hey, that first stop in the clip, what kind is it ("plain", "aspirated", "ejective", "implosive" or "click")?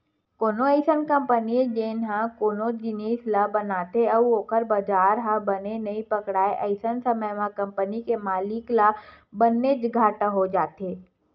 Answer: plain